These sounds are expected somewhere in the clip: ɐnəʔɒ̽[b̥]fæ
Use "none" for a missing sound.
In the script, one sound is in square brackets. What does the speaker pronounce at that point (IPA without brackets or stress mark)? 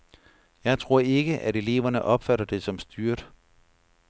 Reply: b̥